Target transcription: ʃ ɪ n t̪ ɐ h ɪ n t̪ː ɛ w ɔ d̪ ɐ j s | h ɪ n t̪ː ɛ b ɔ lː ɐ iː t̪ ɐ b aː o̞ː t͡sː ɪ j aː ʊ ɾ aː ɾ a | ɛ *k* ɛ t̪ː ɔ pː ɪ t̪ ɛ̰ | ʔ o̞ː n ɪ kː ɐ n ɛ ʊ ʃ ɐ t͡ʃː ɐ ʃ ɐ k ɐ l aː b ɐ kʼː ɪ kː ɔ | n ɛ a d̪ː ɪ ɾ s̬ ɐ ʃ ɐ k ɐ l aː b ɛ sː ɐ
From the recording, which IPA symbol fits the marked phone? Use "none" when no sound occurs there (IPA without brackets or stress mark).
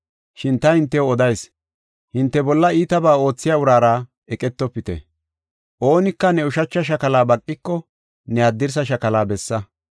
kʼ